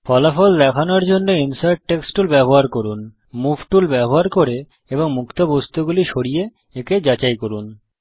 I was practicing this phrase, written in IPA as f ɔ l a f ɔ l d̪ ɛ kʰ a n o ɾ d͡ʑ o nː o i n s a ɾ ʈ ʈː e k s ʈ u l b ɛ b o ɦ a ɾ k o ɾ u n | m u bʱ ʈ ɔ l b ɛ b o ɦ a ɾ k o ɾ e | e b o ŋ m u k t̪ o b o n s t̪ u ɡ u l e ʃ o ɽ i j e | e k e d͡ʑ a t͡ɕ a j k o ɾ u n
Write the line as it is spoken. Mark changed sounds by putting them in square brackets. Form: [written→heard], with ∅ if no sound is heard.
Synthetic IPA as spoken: f ɔ l a f ɔ l d̪ ɛ kʰ a n o ɾ d͡ʑ o nː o i n s a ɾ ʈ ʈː e k s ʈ u l b ɛ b o ɦ a ɾ k o ɾ u n | m u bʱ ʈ [ɔ→u] l b ɛ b o ɦ a ɾ k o ɾ e | e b o ŋ m u k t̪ o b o [n→∅] s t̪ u ɡ u l [e→i] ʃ o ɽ i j e | e k e d͡ʑ a t͡ɕ a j k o ɾ u n